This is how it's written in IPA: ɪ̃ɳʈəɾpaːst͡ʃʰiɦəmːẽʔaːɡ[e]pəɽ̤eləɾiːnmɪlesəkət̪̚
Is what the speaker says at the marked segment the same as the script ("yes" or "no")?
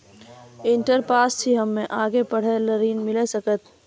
yes